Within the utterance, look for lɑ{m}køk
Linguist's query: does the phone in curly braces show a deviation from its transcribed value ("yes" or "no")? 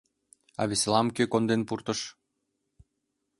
no